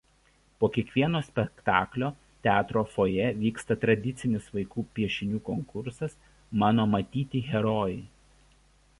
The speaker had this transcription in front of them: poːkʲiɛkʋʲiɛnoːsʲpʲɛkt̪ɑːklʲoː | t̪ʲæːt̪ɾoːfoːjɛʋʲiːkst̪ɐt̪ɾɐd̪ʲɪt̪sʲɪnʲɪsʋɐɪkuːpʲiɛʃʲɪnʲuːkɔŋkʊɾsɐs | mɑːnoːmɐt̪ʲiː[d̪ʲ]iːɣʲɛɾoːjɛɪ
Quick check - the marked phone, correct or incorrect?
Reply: incorrect